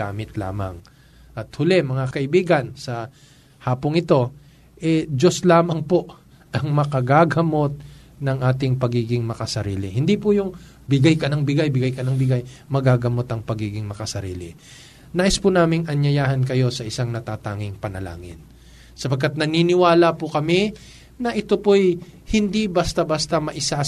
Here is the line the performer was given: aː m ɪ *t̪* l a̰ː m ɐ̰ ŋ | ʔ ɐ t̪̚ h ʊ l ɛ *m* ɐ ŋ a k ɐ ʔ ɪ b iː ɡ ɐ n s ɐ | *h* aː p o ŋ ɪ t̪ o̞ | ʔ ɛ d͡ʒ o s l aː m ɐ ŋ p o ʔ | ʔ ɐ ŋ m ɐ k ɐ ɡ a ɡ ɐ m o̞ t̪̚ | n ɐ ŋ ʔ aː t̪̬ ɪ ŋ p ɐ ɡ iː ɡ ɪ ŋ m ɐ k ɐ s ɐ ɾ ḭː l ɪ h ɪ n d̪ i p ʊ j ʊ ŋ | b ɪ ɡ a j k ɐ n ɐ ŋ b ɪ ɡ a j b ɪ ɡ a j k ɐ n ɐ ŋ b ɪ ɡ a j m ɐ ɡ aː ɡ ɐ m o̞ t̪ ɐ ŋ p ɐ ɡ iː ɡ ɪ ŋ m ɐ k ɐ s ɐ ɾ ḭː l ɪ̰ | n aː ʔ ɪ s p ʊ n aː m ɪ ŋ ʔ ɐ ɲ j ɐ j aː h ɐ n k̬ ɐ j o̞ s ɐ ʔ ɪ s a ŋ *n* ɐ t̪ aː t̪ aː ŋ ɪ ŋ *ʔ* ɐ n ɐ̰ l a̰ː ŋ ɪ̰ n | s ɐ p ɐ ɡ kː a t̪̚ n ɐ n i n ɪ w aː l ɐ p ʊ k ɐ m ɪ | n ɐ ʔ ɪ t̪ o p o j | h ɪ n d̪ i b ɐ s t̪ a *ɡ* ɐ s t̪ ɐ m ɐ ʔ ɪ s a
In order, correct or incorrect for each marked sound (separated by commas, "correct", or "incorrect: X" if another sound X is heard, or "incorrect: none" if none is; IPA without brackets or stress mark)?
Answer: correct, correct, correct, correct, incorrect: p, incorrect: b